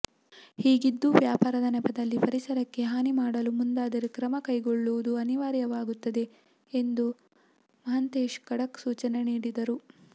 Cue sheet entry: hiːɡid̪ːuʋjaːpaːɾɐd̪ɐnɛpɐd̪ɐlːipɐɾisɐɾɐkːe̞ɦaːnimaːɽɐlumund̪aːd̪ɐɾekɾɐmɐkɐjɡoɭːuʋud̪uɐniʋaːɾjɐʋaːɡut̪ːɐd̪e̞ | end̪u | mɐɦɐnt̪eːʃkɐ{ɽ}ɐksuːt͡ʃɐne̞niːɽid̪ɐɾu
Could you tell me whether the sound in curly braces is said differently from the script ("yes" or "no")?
no